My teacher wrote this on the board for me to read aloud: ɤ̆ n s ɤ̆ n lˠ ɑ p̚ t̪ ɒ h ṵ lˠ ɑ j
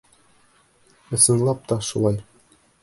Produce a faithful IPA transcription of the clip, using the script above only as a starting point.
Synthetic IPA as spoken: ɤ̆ s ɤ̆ n lˠ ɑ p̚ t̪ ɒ ʃ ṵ lˠ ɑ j